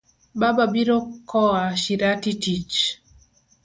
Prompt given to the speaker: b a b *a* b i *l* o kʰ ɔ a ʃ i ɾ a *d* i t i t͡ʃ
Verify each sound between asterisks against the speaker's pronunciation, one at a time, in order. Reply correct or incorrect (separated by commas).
correct, incorrect, incorrect